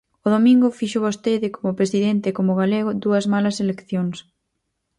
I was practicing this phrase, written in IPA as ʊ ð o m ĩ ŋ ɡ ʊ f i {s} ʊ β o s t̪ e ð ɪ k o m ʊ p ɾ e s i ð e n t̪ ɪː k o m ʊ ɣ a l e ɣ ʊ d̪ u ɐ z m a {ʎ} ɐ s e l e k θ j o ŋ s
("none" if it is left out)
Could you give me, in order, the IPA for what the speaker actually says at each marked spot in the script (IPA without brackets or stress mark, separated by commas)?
ʃ, l